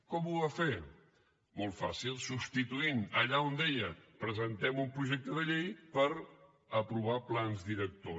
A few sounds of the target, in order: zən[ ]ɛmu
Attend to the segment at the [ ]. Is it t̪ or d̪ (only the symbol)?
t̪